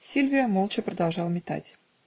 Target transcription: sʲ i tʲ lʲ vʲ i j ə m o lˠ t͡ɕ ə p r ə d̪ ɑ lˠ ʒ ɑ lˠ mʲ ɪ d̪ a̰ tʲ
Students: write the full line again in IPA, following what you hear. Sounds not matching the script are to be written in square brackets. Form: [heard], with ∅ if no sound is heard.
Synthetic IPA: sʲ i [∅] lʲ vʲ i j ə m o lˠ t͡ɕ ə p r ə d̪ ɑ lˠ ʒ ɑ lˠ mʲ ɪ [t̪] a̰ tʲ

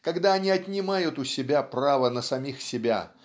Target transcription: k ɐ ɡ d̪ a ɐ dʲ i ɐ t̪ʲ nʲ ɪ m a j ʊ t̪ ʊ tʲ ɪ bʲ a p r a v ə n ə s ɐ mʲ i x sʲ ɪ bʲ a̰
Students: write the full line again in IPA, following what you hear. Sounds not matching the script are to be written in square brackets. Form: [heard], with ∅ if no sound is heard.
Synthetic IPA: k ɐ ɡ d̪ a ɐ [nʲ] i ɐ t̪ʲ nʲ ɪ m a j ʊ t̪ ʊ [sʲ] ɪ bʲ a p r a v ə n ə s ɐ mʲ i x sʲ ɪ bʲ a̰

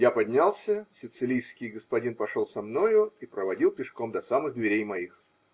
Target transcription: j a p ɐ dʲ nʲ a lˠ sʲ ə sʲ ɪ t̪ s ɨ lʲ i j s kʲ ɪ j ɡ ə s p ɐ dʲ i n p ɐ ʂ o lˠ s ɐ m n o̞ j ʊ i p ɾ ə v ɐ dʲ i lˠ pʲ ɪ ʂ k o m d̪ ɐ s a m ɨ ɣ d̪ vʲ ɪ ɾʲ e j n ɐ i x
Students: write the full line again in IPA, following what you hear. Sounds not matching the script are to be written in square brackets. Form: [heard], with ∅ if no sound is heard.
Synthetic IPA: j a p ɐ dʲ nʲ a lˠ sʲ ə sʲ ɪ t̪ s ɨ lʲ i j s kʲ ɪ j ɡ ə s p ɐ dʲ i n p ɐ ʂ o lˠ s ɐ m n o̞ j ʊ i p ɾ ə v ɐ dʲ i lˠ pʲ ɪ ʂ k o m d̪ ɐ s a m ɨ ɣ d̪ vʲ ɪ ɾʲ e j [m] ɐ i x

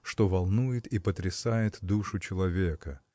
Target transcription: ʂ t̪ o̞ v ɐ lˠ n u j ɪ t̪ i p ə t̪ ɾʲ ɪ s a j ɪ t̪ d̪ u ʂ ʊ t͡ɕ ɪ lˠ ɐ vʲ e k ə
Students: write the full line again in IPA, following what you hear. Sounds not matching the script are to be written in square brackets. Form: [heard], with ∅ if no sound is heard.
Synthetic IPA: ʂ t̪ o̞ v ɐ lˠ n u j ɪ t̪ i p ə t̪ ɾʲ ɪ s a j ɪ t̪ d̪ u ʂ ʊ t͡ɕ ɪ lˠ ɐ vʲ e k ə

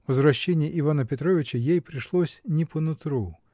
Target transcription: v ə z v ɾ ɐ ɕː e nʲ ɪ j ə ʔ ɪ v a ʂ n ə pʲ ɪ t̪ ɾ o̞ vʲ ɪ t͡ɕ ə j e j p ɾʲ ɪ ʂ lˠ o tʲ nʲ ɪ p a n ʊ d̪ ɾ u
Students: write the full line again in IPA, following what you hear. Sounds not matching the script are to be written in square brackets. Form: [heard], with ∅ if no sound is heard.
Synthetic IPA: v ə z v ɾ ɐ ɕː e nʲ ɪ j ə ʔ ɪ v a [∅] n ə pʲ ɪ t̪ ɾ o̞ vʲ ɪ t͡ɕ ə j e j p ɾʲ ɪ ʂ lˠ o [sʲ] nʲ ɪ p [ə] n ʊ [t̪] ɾ u

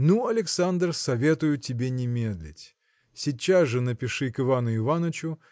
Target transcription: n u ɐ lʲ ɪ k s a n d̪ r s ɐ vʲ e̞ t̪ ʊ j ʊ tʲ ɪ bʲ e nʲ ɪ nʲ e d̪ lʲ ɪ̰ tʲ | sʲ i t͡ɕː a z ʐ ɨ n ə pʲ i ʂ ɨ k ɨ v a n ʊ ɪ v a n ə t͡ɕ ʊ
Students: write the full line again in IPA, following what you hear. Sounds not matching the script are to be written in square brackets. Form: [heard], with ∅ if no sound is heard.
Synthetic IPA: n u ɐ lʲ ɪ k s a n d̪ r s ɐ vʲ e̞ t̪ ʊ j ʊ tʲ ɪ bʲ e nʲ ɪ [mʲ] e d̪ lʲ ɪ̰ tʲ | sʲ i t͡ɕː a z ʐ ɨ n ə pʲ [ɪ] ʂ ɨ k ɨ v a n ʊ ɪ v a n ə t͡ɕ ʊ

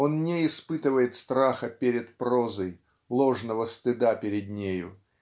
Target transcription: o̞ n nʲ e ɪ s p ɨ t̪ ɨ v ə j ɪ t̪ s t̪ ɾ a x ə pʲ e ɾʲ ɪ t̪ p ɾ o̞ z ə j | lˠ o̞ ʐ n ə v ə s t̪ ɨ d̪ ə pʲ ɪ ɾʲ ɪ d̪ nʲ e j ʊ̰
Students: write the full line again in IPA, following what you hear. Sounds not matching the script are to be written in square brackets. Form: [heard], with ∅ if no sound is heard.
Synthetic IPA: o̞ n nʲ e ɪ s p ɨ t̪ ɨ v ə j ɪ t̪ s t̪ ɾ a x ə pʲ e ɾʲ ɪ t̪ p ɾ o̞ z ə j | lˠ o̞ ʐ n ə v ə s t̪ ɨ d̪ [a] pʲ ɪ ɾʲ ɪ d̪ nʲ e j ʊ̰

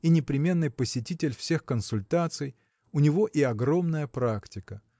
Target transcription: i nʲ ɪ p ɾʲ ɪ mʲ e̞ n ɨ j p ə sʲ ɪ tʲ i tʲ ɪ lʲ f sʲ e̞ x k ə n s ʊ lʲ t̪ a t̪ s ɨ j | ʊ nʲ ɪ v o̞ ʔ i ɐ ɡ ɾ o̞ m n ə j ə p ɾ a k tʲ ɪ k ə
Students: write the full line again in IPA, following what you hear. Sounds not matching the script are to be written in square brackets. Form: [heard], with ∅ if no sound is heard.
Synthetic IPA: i nʲ ɪ p ɾʲ ɪ mʲ e̞ [nː] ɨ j p ə sʲ ɪ tʲ i tʲ ɪ lʲ f sʲ e̞ x k ə n s ʊ lʲ t̪ a t̪ s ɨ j | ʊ nʲ ɪ v o̞ ʔ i ɐ ɡ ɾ o̞ m n ə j ə p ɾ a k tʲ ɪ k ə

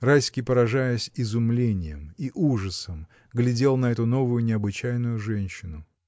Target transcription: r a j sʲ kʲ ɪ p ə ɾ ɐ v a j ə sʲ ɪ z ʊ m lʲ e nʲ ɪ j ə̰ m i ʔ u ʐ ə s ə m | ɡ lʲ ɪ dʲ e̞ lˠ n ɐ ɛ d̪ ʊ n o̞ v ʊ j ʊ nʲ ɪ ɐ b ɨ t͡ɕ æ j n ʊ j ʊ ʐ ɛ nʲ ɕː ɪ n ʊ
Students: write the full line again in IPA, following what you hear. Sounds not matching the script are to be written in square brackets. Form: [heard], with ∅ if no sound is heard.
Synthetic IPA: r a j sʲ kʲ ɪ p ə ɾ ɐ [ʐ] a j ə sʲ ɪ z ʊ m lʲ e nʲ ɪ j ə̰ m i ʔ u ʐ ə s ə m | ɡ lʲ ɪ dʲ e̞ lˠ n ɐ ɛ [t̪] ʊ n o̞ v ʊ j ʊ nʲ ɪ ɐ b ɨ t͡ɕ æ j n ʊ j ʊ ʐ ɛ nʲ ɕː ɪ n ʊ

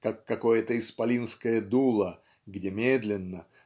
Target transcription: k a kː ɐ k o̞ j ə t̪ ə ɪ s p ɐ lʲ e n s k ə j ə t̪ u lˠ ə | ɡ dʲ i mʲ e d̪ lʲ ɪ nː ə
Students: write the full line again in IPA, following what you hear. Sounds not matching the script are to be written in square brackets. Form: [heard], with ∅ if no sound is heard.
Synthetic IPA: k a kː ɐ k o̞ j ə t̪ ə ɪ s p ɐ lʲ [i] n s k ə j ə [d̪] u lˠ ə | ɡ dʲ [e] mʲ e d̪ lʲ ɪ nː ə

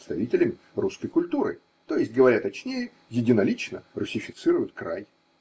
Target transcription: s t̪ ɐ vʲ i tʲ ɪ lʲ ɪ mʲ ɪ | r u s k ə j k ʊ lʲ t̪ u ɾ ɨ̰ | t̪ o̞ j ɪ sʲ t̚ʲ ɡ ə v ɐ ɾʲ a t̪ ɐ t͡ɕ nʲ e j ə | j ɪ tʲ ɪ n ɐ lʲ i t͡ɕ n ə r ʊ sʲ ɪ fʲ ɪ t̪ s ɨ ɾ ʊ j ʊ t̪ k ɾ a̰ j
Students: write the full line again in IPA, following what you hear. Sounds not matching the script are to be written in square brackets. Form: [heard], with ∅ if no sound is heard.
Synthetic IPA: s t̪ ɐ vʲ i tʲ ɪ lʲ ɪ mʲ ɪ | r u s k ə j k ʊ lʲ t̪ u ɾ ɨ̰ | t̪ o̞ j ɪ sʲ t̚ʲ ɡ ə v ɐ ɾʲ a t̪ ɐ t͡ɕ nʲ e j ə | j ɪ [dʲ] ɪ n ɐ lʲ i t͡ɕ n ə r ʊ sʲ ɪ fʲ ɪ t̪ s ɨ ɾ ʊ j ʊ t̪ k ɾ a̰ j

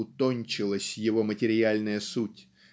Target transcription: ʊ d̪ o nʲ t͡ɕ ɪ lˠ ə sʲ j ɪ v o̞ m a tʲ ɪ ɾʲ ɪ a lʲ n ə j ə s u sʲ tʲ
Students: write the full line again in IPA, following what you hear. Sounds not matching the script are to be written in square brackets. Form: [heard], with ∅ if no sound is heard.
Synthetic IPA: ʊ [t̪] o nʲ t͡ɕ ɪ lˠ ə sʲ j ɪ v o̞ m [ə] tʲ ɪ ɾʲ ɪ a lʲ n ə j ə s u [∅] tʲ

